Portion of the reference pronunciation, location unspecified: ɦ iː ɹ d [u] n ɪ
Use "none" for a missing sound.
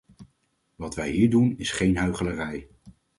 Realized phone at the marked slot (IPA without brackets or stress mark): u